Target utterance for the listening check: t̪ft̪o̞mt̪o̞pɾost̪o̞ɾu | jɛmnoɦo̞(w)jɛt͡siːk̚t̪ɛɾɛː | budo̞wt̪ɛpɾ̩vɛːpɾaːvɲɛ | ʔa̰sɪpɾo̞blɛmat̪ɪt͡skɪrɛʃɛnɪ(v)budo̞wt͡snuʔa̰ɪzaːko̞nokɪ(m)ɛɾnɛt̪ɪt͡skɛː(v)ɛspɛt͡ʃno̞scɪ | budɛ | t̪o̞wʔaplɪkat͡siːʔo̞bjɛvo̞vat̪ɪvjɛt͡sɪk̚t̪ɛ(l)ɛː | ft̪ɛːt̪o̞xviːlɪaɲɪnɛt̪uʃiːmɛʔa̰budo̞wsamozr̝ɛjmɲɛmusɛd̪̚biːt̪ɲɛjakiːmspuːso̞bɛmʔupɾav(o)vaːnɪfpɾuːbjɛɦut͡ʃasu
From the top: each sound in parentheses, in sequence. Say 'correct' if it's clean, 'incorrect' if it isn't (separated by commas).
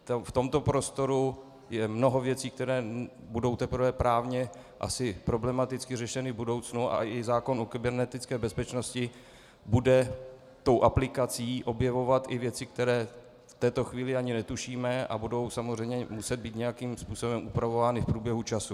incorrect, correct, incorrect, incorrect, incorrect, correct